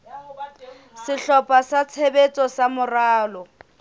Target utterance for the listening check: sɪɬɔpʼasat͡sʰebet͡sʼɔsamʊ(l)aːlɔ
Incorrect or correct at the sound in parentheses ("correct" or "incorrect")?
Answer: incorrect